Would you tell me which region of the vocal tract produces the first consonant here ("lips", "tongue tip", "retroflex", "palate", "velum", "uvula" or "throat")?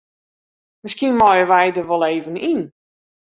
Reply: lips